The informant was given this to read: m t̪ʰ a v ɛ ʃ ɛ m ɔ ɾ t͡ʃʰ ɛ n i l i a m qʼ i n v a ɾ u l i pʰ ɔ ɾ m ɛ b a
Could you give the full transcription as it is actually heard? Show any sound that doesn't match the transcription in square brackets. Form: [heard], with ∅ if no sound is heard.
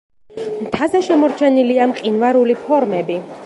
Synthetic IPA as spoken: m t̪ʰ a [z] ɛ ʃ ɛ m ɔ ɾ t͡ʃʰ ɛ n i l i a m qʼ i n v a ɾ u l i pʰ ɔ ɾ m ɛ b [i]